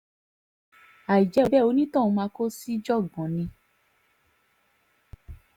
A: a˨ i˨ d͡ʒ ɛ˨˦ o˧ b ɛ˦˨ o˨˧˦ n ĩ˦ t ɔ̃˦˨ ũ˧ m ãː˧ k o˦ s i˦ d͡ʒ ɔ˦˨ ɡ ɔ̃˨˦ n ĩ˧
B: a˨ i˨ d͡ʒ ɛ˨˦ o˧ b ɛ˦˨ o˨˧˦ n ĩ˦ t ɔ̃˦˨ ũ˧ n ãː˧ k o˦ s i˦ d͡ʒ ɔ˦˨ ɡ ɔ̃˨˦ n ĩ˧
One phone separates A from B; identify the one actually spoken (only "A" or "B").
A